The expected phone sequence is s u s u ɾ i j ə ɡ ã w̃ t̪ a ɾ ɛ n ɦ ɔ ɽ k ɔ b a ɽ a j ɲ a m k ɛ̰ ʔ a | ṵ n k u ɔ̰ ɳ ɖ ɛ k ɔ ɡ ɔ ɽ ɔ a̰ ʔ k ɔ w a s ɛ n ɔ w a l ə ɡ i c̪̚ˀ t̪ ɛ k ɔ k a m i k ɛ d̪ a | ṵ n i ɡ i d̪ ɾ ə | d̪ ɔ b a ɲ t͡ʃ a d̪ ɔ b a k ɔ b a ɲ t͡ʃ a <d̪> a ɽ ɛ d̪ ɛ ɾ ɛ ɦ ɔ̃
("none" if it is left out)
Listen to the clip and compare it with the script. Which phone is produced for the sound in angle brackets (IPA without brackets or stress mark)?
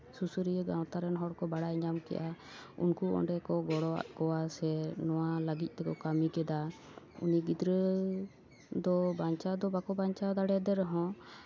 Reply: d̪